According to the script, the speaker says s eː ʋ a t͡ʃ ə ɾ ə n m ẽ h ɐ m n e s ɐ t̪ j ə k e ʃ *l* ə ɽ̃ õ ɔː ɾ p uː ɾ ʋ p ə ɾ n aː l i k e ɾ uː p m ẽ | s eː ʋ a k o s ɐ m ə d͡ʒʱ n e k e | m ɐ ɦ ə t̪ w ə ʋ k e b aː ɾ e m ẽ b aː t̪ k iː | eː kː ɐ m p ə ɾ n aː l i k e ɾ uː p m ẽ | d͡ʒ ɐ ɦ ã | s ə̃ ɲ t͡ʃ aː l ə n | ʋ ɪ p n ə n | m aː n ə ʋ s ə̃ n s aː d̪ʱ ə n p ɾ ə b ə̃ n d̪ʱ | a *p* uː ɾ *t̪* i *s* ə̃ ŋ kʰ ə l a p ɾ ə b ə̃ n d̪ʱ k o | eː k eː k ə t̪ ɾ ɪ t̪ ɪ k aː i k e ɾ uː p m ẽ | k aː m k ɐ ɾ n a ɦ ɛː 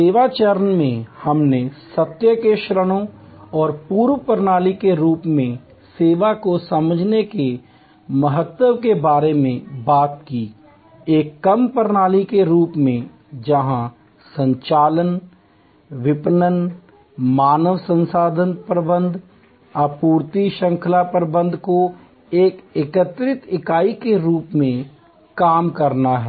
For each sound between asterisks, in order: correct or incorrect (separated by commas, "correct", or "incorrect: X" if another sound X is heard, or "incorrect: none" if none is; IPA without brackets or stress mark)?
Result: incorrect: ɾ, correct, correct, incorrect: ʃ